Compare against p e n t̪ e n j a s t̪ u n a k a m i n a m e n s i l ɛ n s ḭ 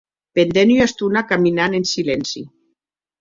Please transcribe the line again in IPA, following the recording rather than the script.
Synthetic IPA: p e n d̪ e n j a s t̪ u n a k a m i n a n e n s i l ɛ n s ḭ

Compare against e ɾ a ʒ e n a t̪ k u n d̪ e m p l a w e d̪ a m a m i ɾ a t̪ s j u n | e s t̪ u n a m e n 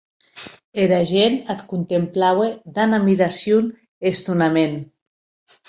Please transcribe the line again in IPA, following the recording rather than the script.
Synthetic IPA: e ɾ a ʒ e n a t̪ k u n t̪ e m p l a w e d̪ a n a m i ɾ a s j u n | e s t̪ u n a m e n

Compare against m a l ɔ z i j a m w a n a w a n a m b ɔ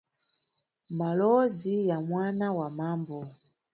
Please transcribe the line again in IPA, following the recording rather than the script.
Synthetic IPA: m a l ɔ z i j a m w a n a w a m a m b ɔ

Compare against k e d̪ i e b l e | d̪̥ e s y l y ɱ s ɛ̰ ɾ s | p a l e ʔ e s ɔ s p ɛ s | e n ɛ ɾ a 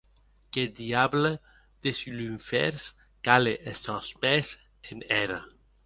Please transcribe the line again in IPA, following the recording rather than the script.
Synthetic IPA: k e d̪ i a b l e | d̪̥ e s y l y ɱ f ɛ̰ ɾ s | k a l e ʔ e s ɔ s p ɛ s | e n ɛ ɾ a

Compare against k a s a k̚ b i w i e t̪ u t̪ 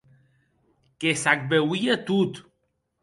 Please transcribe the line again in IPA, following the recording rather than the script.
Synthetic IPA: k e s a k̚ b e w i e t̪ u t̪

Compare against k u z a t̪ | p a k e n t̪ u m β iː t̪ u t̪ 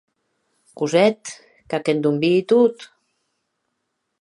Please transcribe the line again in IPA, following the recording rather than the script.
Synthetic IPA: k u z ɛ t̪ | k a k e n d̪ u m b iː t̪ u t̪

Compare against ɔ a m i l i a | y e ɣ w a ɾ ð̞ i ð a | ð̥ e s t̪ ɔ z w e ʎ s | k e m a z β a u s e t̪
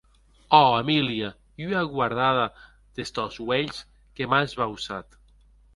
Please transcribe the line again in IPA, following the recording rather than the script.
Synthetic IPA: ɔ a m i l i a | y a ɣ w a ɾ ð̞ a ð a | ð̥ e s t̪ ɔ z w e ʎ s | k e m a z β a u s a t̪

